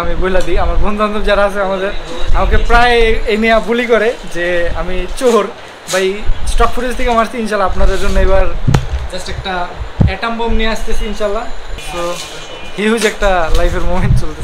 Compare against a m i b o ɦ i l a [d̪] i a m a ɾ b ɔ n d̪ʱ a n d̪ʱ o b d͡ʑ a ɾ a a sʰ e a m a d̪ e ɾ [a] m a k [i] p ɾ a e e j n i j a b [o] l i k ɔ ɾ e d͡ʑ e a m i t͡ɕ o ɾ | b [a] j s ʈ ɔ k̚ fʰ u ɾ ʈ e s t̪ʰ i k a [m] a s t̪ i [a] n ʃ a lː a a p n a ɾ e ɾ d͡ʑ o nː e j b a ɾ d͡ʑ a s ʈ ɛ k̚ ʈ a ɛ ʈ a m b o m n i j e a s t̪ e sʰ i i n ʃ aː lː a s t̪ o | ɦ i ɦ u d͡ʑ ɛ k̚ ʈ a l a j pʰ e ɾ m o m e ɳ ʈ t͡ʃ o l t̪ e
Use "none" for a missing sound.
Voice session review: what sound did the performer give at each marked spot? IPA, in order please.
d̪, a, e, u, a, m, i

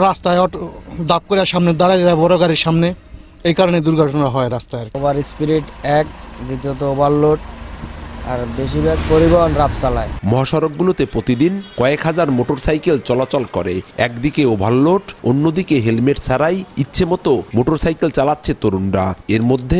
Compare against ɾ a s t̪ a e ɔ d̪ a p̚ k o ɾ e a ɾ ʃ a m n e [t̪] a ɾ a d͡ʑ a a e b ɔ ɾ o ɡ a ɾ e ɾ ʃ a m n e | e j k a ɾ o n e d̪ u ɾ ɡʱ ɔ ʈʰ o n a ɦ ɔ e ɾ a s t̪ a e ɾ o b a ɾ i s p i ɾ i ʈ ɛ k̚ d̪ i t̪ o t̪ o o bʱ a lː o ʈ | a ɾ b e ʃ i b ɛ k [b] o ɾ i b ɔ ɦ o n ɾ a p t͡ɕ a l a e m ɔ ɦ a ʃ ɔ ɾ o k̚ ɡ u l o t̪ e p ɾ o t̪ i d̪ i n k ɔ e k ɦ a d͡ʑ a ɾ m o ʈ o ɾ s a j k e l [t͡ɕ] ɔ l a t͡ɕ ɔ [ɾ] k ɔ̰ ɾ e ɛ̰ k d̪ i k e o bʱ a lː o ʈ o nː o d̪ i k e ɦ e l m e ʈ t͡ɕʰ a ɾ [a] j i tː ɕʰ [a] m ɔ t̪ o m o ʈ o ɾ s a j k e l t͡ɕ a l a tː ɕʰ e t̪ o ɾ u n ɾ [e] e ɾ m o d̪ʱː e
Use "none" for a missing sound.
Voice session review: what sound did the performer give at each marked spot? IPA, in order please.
d̪, p, t͡ɕ, l, a, e, a

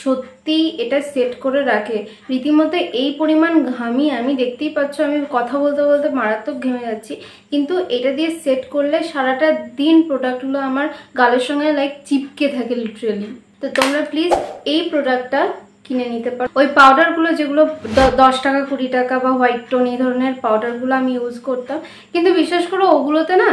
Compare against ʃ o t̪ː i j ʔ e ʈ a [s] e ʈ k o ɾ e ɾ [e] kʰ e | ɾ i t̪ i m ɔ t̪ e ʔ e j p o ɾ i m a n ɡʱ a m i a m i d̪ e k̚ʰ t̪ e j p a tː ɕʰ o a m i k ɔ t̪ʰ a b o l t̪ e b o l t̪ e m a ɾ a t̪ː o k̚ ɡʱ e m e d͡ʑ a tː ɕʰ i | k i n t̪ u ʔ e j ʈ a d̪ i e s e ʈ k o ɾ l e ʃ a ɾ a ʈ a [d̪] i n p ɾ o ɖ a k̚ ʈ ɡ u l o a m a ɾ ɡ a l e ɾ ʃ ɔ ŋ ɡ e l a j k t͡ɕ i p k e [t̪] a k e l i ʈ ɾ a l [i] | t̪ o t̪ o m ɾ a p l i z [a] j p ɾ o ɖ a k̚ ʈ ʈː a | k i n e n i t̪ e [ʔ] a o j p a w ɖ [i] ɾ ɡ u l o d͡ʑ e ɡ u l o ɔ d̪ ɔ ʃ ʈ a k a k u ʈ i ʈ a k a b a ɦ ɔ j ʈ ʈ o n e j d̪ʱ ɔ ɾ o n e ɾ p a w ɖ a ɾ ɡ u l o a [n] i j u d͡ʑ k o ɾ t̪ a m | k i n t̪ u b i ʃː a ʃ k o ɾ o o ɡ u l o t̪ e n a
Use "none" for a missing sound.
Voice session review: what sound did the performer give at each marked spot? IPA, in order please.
s, a, d̪, t̪ʰ, i, e, p, a, m

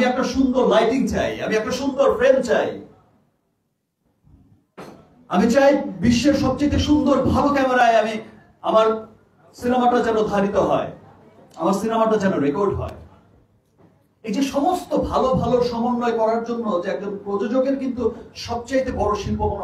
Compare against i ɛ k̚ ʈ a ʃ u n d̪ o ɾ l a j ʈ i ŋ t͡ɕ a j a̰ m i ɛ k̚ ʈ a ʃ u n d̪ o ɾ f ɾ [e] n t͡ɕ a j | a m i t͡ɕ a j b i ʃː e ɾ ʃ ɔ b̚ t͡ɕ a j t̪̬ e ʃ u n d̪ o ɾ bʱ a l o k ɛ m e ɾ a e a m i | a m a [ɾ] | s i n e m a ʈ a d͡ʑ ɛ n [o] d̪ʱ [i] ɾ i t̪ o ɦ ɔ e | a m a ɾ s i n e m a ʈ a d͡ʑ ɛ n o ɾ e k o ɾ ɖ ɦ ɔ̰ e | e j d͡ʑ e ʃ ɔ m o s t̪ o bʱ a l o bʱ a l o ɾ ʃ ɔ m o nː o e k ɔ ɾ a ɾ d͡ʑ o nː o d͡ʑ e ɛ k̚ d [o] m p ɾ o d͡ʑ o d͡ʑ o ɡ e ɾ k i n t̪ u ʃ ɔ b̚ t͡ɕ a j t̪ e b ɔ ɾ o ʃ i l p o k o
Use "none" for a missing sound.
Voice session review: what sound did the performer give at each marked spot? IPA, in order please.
e, ɾ, o, a, o

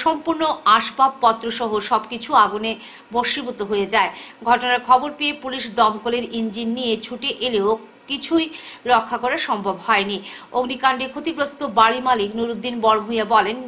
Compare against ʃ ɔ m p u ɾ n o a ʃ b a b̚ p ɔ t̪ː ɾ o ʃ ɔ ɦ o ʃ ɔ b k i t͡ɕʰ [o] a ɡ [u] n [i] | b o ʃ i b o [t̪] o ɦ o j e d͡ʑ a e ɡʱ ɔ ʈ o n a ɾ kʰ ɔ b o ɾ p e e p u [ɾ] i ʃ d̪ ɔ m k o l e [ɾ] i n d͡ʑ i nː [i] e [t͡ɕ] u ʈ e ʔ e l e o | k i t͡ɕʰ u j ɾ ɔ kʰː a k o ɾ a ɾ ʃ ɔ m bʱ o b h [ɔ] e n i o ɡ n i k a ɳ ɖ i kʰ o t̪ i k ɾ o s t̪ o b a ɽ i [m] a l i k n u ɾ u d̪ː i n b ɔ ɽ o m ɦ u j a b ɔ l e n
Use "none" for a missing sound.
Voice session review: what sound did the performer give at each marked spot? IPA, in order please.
u, u, e, t̪, l, ɾ, i, t͡ɕʰ, ɔ, m

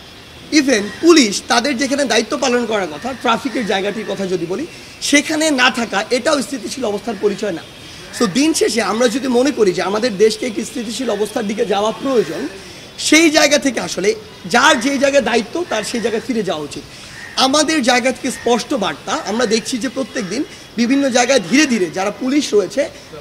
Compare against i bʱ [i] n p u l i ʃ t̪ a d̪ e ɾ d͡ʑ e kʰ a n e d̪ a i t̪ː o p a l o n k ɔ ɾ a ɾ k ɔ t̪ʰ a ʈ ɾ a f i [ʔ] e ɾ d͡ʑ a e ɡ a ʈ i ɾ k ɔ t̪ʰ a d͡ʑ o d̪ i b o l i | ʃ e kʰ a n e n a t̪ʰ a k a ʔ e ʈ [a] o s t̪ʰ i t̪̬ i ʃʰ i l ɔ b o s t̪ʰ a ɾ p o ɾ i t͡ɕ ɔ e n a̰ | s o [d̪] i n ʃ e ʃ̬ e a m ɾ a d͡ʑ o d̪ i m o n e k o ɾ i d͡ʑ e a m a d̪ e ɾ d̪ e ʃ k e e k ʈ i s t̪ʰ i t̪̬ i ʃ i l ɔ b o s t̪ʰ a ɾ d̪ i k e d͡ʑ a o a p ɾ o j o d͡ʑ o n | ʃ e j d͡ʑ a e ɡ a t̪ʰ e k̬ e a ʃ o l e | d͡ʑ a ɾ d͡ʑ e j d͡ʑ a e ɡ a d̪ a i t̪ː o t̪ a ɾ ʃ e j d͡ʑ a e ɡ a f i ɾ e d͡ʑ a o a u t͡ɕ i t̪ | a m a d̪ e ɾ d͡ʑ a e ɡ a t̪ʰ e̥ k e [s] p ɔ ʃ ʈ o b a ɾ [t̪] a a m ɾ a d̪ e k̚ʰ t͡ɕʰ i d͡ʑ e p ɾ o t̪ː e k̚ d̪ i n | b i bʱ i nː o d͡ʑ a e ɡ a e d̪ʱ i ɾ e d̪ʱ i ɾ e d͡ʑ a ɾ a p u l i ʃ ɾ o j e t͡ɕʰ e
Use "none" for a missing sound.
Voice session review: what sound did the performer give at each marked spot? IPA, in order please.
e, k, a, d̪, s, t̪

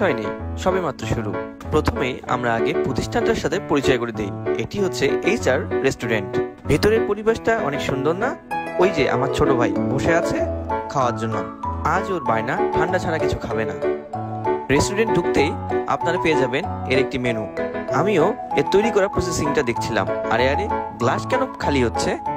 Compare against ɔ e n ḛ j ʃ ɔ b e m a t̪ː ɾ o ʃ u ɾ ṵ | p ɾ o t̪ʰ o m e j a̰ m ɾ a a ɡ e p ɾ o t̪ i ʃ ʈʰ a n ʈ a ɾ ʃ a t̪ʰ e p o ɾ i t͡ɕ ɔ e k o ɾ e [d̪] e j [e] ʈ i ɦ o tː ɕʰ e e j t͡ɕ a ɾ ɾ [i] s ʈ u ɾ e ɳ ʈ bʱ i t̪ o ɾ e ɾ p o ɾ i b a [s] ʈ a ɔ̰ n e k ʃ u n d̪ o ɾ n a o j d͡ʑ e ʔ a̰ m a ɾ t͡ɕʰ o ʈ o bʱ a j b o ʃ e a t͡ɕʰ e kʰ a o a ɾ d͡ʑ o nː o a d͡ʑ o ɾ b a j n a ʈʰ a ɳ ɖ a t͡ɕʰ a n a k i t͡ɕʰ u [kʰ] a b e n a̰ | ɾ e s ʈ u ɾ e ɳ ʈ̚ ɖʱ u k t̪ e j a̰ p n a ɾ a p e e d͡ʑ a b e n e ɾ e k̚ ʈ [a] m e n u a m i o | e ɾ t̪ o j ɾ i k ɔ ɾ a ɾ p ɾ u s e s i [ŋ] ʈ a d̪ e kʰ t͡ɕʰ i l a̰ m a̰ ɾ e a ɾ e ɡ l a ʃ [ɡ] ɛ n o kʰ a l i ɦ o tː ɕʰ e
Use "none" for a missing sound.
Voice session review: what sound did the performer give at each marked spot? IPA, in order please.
d̪, e, e, ʃ, kʰ, i, ŋ, k

